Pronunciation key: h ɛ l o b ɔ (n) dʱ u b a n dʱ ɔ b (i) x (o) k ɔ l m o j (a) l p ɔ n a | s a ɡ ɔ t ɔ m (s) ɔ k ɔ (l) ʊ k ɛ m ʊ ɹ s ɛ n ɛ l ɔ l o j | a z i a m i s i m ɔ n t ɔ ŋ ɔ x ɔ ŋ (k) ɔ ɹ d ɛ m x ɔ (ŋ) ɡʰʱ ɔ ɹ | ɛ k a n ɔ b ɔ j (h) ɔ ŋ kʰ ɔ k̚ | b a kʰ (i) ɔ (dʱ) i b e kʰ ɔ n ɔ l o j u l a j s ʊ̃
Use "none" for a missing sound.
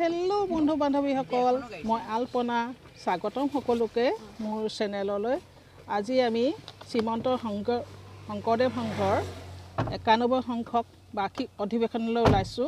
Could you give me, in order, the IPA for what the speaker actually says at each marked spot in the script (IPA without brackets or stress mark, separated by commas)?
n, i, ɔ, a, x, l, k, ŋ, x, i, dʱ